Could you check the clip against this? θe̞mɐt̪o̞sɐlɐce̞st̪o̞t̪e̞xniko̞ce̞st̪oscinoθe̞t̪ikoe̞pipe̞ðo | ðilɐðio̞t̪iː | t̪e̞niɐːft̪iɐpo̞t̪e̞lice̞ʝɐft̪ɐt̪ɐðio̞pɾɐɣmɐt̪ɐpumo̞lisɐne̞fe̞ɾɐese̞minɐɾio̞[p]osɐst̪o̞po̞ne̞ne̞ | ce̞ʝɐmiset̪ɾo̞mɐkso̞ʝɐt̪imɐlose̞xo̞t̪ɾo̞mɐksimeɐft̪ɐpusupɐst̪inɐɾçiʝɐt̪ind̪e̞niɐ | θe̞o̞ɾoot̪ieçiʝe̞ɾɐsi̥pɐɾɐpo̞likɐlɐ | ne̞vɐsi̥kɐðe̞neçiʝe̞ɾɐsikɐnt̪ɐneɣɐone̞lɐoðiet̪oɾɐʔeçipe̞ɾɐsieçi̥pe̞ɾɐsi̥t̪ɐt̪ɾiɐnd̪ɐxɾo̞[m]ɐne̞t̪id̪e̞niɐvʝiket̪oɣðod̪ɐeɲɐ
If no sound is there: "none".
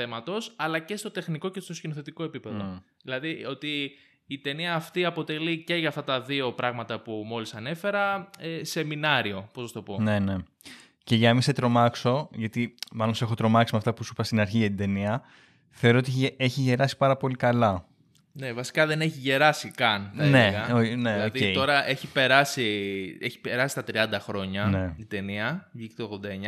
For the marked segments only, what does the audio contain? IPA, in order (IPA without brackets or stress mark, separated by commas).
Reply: p, ɲ